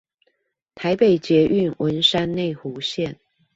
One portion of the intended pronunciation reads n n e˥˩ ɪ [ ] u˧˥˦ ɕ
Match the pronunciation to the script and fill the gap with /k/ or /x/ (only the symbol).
x